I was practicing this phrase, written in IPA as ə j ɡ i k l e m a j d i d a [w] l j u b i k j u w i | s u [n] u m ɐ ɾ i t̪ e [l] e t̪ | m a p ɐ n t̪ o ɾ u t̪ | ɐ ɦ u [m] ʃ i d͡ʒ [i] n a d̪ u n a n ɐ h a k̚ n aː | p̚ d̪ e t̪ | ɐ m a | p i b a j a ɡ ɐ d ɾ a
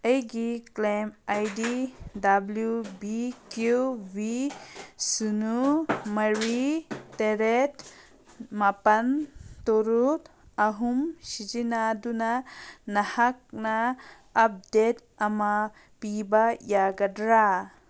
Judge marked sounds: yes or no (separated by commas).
no, yes, no, yes, yes